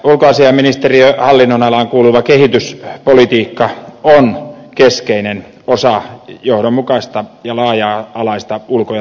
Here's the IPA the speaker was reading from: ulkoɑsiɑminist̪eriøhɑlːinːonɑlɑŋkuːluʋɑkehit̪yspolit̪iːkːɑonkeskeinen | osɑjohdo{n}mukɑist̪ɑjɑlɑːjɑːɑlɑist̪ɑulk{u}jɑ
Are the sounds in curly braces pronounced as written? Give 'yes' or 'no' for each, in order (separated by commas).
no, no